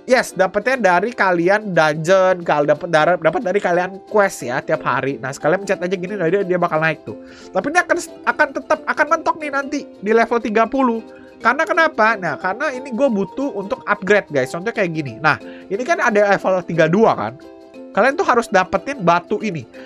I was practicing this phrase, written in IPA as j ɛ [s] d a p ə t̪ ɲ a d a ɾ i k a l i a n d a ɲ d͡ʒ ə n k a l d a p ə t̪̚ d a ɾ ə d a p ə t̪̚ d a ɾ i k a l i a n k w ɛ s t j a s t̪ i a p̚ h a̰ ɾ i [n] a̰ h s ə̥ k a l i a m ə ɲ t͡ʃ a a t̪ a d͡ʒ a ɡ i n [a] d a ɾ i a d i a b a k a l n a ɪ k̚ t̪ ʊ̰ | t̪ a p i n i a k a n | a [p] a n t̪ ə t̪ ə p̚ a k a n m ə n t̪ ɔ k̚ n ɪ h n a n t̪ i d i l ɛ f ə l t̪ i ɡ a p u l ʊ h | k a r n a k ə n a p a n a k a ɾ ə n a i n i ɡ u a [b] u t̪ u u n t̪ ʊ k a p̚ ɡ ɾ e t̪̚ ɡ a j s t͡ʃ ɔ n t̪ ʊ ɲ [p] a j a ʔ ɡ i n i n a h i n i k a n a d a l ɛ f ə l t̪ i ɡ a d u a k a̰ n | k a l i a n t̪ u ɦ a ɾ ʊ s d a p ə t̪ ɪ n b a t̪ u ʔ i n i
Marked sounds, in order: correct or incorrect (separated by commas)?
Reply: correct, correct, incorrect, incorrect, correct, incorrect